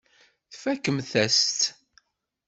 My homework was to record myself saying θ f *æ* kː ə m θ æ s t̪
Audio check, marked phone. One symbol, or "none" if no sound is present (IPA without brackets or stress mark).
æ